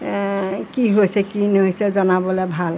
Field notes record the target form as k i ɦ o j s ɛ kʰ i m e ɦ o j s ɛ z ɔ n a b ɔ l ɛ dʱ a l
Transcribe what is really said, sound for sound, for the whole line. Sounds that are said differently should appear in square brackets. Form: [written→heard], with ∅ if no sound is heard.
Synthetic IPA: k i ɦ o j s ɛ [kʰ→k] i [m→n] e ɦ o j s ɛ z ɔ n a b ɔ l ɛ [dʱ→bʱ] a l

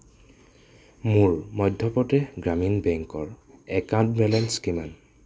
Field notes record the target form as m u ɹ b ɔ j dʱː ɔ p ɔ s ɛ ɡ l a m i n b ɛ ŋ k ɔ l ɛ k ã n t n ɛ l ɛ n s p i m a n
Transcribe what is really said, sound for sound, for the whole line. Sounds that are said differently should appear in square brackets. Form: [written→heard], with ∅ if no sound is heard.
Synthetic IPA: m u ɹ [b→m] ɔ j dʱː ɔ p ɔ [s→t] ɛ ɡ [l→ɹ] a m i n b ɛ ŋ k ɔ [l→ɹ] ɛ k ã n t [n→m] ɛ l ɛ n s [p→k] i m a n

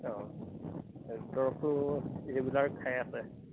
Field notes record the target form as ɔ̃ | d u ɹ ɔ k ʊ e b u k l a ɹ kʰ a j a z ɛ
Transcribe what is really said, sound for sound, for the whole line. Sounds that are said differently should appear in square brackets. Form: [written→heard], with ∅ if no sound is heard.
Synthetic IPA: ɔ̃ | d [u→ɔ] ɹ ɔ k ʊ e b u [k→∅] l a ɹ kʰ a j a [z→s] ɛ

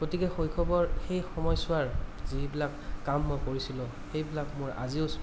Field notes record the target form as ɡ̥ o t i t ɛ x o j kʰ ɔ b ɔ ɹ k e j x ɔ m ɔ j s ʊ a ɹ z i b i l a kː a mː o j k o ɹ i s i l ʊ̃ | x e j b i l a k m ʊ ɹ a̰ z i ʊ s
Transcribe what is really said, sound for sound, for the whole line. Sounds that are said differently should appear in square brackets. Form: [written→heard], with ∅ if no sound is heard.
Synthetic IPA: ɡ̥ o t i [t→k] ɛ x o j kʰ ɔ b ɔ ɹ [k→x] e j x ɔ m ɔ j s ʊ a ɹ z i b i l a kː a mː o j k o ɹ i s i l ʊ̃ | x e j b i l a k m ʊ ɹ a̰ z i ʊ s

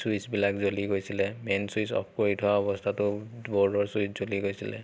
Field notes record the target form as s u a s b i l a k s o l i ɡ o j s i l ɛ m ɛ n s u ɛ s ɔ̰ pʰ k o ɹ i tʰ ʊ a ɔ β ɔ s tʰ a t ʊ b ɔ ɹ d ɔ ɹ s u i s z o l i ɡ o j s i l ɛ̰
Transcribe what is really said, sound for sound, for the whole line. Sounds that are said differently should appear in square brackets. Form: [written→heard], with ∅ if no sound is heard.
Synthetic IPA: s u [a→i] s b i l a k [s→z] o l i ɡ o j s i l ɛ m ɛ n s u [ɛ→i] s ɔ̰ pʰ k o ɹ i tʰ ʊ a ɔ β ɔ s tʰ a t ʊ b ɔ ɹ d ɔ ɹ s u i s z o l i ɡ o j s i l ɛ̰

